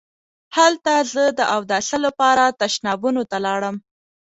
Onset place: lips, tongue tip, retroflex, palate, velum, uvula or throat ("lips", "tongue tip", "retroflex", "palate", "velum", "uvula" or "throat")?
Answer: throat